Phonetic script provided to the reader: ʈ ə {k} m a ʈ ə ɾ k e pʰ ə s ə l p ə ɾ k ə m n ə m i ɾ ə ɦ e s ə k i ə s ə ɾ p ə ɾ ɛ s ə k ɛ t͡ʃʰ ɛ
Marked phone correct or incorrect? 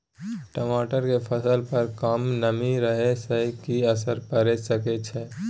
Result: incorrect